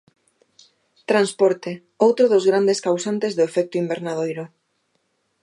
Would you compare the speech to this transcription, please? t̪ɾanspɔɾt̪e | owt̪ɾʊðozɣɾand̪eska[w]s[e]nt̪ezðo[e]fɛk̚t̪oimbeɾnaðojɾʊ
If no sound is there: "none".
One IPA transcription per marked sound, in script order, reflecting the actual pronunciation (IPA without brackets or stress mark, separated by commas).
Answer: w, a, e